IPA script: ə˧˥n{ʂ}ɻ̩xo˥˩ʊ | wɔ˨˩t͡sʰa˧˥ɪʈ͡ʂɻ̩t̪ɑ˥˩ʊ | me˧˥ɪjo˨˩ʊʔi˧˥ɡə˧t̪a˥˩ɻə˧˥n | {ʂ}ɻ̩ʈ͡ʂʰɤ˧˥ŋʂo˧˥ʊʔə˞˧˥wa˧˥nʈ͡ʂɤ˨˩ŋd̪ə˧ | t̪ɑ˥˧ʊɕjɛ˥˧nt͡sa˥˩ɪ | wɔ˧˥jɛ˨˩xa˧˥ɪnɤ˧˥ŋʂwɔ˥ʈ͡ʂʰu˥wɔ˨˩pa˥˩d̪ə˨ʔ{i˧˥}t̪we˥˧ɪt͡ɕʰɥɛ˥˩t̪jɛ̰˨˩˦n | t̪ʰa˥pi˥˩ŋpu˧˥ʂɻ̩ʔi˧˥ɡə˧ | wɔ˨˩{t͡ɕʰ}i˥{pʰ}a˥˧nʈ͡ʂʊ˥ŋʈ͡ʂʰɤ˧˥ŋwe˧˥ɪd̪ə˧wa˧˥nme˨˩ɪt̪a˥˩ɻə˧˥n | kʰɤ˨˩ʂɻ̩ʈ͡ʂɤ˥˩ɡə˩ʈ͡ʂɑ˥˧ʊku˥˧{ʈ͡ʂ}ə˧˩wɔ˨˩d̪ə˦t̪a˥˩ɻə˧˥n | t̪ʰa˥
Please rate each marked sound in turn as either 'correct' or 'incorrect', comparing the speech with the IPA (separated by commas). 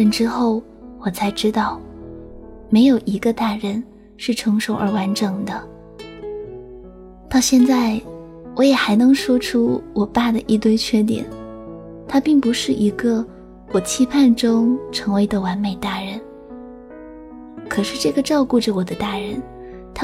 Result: incorrect, correct, incorrect, correct, correct, correct